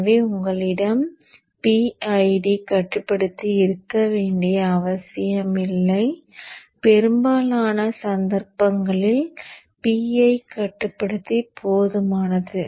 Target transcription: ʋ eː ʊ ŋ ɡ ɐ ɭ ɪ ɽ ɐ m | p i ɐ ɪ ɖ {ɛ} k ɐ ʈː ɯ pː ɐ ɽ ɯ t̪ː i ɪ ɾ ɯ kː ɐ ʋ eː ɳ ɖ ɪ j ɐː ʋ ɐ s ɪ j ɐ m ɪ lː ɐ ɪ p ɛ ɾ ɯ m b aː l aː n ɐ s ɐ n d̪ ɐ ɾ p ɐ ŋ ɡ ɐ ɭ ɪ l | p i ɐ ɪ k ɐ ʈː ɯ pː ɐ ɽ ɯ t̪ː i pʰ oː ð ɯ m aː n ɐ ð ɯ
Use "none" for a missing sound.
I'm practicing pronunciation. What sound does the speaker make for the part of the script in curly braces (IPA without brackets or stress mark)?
i